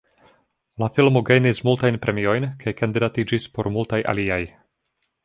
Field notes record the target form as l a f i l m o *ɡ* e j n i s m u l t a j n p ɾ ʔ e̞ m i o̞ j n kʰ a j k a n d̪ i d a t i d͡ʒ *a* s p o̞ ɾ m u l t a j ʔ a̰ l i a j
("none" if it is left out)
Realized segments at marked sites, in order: ɡ, i

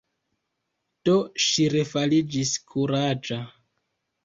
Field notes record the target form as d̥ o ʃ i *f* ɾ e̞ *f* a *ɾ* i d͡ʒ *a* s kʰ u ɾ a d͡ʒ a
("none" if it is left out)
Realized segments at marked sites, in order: none, f, l, i

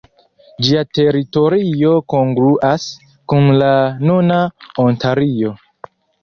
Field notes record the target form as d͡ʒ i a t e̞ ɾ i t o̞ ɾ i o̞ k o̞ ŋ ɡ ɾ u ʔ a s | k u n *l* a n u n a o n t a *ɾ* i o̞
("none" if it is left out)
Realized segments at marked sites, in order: l, ɾ

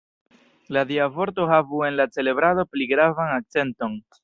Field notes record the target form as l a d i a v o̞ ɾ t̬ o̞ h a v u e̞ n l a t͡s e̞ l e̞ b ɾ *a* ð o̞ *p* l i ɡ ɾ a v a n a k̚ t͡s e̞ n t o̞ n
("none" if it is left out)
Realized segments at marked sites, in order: a, p

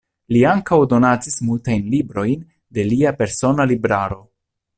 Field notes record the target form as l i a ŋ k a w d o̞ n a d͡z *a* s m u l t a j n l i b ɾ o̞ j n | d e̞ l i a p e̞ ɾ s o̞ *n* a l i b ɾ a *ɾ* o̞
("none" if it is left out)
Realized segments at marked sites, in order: i, n, ɾ

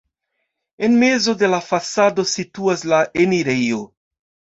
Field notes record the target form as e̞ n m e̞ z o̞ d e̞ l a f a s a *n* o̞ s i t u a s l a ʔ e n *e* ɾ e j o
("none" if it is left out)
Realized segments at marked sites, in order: d, i

